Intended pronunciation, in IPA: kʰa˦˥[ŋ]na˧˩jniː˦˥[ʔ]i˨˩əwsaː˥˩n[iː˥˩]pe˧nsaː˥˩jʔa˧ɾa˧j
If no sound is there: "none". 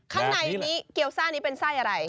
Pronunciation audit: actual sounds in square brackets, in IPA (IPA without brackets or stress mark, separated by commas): ŋ, k, iː˦˥